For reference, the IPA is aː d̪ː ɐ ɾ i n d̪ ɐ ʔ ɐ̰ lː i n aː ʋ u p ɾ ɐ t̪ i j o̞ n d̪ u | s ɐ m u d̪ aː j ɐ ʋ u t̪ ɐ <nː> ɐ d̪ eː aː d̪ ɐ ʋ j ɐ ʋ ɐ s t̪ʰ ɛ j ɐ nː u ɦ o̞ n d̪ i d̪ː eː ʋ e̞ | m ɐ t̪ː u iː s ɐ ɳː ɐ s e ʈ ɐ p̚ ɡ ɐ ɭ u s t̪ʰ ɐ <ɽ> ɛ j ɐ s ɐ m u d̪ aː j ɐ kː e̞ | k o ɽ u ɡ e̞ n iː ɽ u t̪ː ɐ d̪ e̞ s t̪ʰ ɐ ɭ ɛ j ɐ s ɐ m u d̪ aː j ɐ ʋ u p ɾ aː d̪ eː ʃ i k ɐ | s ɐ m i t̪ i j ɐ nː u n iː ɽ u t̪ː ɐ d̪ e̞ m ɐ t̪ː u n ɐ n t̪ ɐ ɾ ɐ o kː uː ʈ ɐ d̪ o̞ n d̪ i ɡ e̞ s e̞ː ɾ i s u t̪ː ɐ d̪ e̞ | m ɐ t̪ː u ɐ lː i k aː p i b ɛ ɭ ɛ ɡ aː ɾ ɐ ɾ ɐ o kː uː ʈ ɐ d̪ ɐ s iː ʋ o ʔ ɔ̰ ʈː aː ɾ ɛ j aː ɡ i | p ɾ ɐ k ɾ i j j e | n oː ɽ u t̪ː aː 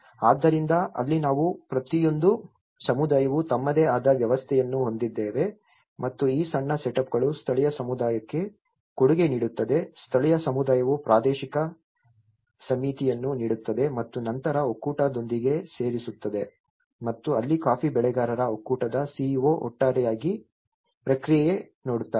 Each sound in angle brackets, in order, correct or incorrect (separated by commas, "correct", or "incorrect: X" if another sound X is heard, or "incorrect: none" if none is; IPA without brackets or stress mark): incorrect: mː, incorrect: ɭ